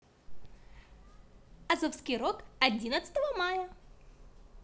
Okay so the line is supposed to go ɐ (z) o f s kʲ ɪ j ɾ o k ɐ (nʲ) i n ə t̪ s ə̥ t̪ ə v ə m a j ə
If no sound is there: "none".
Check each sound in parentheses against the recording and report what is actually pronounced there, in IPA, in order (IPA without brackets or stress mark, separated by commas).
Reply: z, dʲ